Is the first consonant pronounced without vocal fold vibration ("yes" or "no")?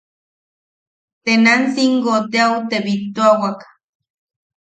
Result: yes